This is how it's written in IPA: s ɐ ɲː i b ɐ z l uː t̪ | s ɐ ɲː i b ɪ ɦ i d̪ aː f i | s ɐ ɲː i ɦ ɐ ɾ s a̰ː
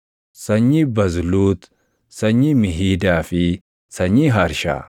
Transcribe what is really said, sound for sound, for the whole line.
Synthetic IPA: s ɐ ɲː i b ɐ z l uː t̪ | s ɐ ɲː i m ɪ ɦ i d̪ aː f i | s ɐ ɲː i ɦ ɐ ɾ ʃ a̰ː